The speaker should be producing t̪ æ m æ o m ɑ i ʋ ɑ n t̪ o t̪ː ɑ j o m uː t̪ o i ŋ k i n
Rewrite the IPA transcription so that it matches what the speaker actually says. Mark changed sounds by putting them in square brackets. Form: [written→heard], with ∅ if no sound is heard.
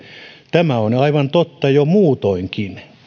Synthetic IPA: t̪ æ m æ o [m→n] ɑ i ʋ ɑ n t̪ o t̪ː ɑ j o m uː t̪ o i ŋ k i n